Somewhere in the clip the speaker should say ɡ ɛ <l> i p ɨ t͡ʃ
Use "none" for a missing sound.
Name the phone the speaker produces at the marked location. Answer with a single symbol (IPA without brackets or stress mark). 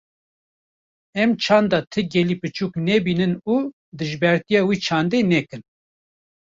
l